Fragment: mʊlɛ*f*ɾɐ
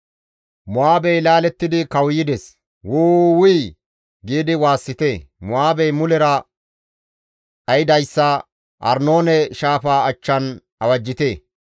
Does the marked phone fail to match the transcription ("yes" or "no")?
yes